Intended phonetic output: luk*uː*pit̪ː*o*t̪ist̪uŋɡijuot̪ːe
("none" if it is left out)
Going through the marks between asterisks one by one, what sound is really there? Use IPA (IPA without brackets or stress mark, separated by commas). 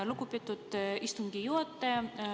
u, u